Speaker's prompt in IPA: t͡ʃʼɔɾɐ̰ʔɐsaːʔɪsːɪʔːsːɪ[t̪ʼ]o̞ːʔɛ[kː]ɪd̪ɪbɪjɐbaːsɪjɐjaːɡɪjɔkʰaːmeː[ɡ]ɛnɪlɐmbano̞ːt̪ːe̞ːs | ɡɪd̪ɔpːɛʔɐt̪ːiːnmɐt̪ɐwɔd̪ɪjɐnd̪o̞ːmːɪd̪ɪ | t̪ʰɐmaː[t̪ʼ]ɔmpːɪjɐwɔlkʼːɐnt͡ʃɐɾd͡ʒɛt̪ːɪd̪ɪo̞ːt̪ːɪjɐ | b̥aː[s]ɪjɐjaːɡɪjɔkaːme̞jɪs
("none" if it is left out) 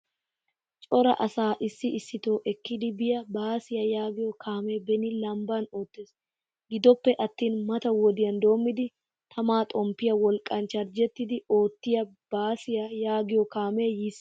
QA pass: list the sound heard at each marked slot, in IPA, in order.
t̪, kː, b, t̪ʼ, s

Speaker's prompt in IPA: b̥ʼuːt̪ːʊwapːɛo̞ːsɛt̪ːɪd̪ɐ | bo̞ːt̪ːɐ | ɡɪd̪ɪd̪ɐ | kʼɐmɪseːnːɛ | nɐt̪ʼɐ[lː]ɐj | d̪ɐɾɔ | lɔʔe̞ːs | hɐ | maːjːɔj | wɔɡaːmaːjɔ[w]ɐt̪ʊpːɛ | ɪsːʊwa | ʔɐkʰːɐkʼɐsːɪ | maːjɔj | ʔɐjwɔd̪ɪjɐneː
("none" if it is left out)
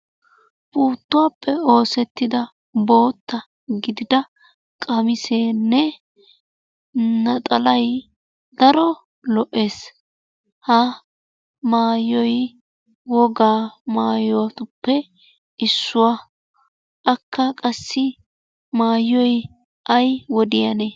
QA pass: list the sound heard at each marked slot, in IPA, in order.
l, w

